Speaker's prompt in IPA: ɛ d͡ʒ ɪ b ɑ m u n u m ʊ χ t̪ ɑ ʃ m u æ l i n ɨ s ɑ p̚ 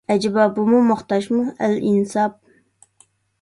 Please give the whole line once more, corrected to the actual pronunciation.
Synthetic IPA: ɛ d͡ʒ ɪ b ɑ b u m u m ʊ χ t̪ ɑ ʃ m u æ l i n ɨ s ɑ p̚